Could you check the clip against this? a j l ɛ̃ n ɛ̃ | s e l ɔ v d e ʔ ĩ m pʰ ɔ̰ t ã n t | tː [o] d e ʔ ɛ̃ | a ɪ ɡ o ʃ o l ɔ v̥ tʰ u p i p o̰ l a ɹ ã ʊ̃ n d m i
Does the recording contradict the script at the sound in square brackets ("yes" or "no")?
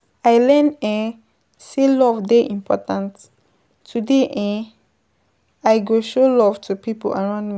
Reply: yes